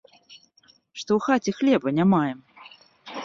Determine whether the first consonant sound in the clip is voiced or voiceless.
voiceless